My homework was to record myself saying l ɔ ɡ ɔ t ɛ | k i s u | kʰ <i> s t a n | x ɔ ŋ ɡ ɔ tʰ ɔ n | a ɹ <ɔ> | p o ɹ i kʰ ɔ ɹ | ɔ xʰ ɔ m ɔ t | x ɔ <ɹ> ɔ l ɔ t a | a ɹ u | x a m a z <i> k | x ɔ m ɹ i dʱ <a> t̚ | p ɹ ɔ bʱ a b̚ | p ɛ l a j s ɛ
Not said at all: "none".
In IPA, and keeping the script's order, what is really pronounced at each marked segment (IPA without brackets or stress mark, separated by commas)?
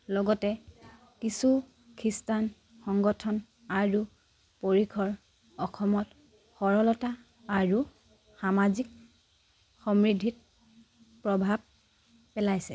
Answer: i, u, ɹ, i, i